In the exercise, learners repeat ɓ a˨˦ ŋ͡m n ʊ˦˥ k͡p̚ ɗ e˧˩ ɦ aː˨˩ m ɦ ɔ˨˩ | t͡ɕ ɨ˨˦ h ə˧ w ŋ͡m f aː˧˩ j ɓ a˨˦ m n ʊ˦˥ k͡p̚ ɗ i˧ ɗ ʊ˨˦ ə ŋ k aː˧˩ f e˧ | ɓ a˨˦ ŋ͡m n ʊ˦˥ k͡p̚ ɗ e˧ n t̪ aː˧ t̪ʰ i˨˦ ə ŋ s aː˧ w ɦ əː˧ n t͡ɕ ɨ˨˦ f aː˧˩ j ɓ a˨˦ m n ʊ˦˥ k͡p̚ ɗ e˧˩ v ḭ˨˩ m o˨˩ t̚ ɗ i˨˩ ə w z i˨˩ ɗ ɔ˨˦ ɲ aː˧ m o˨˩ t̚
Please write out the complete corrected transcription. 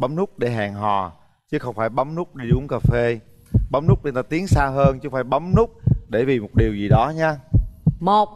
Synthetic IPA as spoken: ɓ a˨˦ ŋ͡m n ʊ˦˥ k͡p̚ ɗ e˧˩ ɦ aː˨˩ ŋ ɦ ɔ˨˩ | t͡ɕ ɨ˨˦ x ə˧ w ŋ͡m f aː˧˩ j ɓ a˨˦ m n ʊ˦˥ k͡p̚ ɗ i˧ ɗ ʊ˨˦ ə ŋ k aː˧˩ f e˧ | ɓ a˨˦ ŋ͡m n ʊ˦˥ k͡p̚ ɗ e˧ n t̪ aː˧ t̪ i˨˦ ə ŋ s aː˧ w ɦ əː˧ n t͡ɕ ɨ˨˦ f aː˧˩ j ɓ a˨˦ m n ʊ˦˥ k͡p̚ ɗ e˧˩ v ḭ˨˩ m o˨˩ t̚ ɗ i˨˩ ə w z i˨˩ ɗ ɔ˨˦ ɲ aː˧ m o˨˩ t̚